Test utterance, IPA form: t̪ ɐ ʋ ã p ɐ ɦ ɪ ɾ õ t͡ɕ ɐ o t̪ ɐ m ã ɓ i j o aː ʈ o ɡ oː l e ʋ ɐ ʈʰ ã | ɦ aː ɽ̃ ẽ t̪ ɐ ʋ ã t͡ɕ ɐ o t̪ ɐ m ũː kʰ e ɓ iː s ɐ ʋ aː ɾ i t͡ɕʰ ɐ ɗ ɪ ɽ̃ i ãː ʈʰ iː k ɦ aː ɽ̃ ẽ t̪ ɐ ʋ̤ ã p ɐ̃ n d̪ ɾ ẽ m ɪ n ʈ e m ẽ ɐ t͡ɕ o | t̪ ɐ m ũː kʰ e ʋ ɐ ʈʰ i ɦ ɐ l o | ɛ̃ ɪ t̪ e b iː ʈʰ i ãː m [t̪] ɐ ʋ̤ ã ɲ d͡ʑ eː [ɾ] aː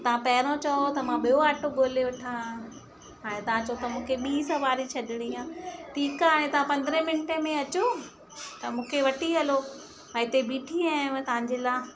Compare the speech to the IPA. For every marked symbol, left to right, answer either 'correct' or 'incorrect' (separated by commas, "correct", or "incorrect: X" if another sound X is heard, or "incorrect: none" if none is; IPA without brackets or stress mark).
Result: correct, incorrect: l